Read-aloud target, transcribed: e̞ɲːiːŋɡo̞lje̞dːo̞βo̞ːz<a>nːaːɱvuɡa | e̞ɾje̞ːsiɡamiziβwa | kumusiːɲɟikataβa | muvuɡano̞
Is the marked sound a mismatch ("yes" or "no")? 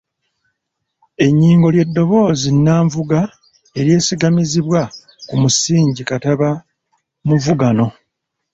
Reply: yes